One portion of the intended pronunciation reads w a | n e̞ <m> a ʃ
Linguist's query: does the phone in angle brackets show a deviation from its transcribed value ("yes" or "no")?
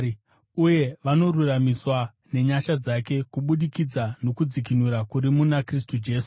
yes